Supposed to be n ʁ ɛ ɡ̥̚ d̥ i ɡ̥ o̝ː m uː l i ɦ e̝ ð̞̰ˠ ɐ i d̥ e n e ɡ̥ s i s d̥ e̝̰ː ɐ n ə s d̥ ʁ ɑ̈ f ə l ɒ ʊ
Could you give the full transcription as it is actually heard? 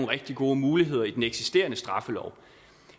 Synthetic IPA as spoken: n ʁ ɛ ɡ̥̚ d̥ i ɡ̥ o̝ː m uː l i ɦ e̝ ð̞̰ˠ ɐ i d̥ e n e ɡ̥ s i s d̥ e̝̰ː ɐ n ə s d̥ ʁ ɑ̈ f ə l ɒ ʊ

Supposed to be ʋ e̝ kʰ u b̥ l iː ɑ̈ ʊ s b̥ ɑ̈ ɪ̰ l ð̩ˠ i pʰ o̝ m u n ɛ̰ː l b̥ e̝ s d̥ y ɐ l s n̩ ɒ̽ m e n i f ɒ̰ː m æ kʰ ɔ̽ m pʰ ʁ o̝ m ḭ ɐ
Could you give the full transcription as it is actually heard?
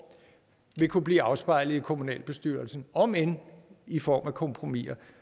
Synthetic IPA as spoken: ʋ e̝ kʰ u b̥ l iː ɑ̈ ʊ s b̥ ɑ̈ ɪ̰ l ð̩ˠ i kʰ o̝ m u n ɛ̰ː l b̥ e̝ s d̥ y ɐ l s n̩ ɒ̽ m e n i f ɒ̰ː m æ kʰ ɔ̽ m pʰ ʁ o̝ m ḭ ɐ

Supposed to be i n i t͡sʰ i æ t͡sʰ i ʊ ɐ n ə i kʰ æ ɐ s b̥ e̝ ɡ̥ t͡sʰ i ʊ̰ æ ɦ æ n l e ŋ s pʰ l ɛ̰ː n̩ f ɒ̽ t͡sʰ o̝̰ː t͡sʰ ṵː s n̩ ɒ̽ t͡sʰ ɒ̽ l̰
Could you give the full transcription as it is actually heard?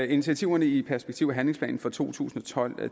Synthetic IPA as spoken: i n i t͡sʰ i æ t͡sʰ i ʊ ɐ n ə i pʰ æ ɐ s b̥ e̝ ɡ̥ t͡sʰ i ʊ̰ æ ɦ æ n l e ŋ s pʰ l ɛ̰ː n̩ f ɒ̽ t͡sʰ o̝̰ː t͡sʰ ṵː s n̩ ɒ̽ t͡sʰ ɒ̽ l̰

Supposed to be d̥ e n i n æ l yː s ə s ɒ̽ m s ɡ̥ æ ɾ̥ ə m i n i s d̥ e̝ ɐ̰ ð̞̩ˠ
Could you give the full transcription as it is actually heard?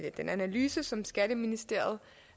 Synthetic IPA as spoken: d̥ e n æ n æ l yː s ə s ɒ̽ m s ɡ̥ æ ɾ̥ ə m i n i s d̥ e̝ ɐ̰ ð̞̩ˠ

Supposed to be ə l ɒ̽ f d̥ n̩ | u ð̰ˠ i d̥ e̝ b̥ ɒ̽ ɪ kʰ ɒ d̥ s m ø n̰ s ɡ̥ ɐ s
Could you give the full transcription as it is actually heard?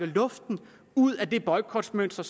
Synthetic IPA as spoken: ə l ɔ̽ f d̥ n̩ | u ð̰ˠ æ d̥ e̝ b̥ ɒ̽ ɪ kʰ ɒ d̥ s m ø n̰ s d̥ ɐ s

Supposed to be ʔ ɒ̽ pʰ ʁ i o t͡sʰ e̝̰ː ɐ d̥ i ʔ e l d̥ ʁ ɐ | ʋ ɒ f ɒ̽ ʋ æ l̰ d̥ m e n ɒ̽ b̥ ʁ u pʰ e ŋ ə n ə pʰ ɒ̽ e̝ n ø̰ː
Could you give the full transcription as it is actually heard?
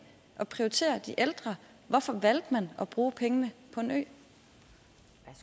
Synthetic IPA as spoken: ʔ ɒ̽ pʰ ʁ i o t͡sʰ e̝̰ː ɐ d̥ i ʔ e l d̥ ʁ ɐ | ʋ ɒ f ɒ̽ ʋ æ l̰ d̥ m æ n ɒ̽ b̥ ʁ uː pʰ e ŋ ə n ə pʰ ɒ̽ e̝ n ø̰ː

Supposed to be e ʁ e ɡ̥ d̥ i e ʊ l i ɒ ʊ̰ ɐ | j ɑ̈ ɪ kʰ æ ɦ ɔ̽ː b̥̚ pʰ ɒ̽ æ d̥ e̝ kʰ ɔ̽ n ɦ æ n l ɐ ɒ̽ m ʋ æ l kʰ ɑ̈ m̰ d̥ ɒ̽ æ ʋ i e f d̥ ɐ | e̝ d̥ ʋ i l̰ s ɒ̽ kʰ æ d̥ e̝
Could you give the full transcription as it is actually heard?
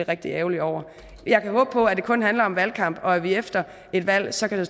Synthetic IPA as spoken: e ʁ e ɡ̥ d̥ i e ʊ l i ɒ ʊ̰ ɐ | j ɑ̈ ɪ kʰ æ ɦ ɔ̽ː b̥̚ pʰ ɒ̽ æ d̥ e̝ kʰ ɔ̽ n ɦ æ n l ɐ ɒ̽ m ʋ æ l kʰ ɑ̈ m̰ b̥ ɒ̽ æ ʋ i e f d̥ ɐ | e̝ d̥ ʋ æ l̰ s ɒ̽ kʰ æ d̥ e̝

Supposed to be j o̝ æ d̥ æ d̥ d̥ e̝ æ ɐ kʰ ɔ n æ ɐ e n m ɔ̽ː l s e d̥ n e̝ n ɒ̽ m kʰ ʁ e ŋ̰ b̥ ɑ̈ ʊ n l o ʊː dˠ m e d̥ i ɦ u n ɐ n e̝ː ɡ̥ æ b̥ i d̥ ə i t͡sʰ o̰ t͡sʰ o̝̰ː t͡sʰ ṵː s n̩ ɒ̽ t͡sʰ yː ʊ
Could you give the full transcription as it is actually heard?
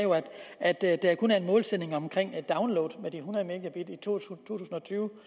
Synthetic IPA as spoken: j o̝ æ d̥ æ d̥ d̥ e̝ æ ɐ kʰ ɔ n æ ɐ e n m ɔ̽ː l s e d̥ n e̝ ŋ ɒ̽ m kʰ ʁ e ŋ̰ d̥ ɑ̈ ʊ n l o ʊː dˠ m e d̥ i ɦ u n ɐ m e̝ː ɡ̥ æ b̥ i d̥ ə i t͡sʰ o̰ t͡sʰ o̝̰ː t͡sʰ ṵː s n̩ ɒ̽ t͡sʰ yː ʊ

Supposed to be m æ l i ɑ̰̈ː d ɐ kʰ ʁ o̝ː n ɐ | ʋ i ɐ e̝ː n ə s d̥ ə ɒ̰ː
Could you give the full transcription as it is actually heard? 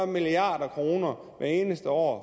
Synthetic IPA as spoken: m i l i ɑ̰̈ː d ɐ kʰ ʁ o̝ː n ɐ | ʋ æ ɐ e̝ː n ə s d̥ ə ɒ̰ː

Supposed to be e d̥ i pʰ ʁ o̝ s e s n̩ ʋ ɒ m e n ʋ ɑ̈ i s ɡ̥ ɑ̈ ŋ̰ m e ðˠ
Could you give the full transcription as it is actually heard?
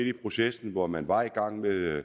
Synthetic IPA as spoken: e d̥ i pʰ ʁ o̝ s e s n̩ ʋ ɒ m æ n ʋ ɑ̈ i ɡ̥ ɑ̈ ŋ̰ m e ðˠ

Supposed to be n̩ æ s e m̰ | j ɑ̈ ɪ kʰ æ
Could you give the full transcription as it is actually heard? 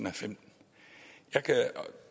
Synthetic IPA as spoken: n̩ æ f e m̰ | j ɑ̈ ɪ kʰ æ

